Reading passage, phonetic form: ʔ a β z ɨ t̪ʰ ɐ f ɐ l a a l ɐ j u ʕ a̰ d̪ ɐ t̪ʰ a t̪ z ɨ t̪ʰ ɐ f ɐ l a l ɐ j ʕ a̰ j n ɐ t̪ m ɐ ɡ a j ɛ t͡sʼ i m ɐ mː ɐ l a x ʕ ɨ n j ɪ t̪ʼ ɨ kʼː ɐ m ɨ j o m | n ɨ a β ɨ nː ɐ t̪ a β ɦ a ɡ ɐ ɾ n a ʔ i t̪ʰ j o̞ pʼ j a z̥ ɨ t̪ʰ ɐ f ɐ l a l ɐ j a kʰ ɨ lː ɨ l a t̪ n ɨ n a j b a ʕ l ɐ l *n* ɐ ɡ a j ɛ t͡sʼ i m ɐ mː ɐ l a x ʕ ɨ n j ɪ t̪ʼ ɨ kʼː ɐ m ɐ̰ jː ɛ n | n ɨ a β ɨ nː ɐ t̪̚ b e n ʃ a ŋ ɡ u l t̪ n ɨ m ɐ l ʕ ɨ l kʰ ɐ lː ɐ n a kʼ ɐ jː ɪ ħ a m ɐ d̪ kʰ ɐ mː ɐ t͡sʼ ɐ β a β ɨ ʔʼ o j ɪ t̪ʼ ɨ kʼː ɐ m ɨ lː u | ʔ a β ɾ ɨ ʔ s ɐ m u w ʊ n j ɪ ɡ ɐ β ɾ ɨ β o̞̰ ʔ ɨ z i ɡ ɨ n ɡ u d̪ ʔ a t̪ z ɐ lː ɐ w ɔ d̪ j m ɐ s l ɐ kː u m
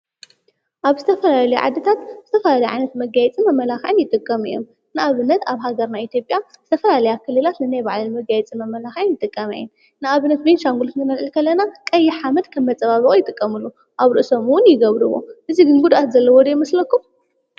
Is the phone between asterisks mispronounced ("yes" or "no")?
yes